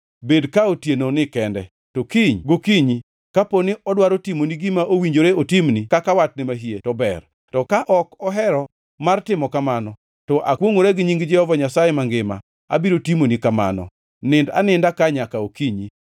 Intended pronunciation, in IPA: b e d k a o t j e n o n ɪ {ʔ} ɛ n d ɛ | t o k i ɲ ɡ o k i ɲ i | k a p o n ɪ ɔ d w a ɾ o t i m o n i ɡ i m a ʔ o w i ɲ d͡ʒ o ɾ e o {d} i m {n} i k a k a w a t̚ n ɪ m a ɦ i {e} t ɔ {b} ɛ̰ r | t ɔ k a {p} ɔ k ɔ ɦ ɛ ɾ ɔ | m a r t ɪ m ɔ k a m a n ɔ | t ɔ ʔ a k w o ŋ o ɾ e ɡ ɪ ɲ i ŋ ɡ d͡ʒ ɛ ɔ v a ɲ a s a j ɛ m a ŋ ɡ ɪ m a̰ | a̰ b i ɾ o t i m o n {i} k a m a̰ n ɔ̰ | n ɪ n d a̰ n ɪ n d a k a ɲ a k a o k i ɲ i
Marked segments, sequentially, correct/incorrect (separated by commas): incorrect, incorrect, correct, correct, correct, incorrect, correct